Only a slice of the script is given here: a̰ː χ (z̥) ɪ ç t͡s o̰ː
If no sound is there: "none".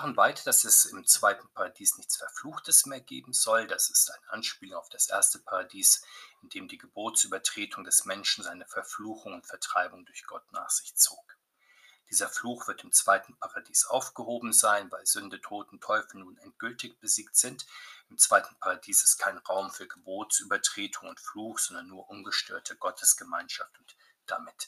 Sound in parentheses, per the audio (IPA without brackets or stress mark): z̥